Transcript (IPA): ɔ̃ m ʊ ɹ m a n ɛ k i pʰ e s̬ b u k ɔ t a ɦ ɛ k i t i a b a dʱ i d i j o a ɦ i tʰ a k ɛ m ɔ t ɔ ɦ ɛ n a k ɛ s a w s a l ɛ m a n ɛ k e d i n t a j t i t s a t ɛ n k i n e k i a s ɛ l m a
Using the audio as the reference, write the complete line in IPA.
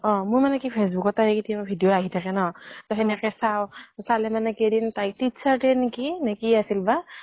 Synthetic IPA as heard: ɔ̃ m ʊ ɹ m a n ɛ k i pʰ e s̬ b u k ɔ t a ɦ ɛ k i t i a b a bʱ i d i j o a ɦ i tʰ a k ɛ n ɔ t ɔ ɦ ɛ n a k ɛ s a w s a l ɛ m a n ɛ k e d i n t a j t i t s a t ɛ n k i n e k i a s i l b a